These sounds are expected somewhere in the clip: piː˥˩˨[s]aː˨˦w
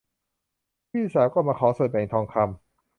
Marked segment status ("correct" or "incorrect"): correct